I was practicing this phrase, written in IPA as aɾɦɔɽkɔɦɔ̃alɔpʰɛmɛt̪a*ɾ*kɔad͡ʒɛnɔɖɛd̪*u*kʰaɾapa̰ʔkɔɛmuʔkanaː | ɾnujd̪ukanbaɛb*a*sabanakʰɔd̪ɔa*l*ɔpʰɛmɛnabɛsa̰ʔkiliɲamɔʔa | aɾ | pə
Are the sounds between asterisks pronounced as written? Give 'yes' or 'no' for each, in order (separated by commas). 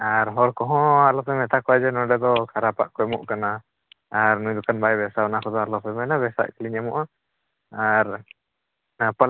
no, no, no, yes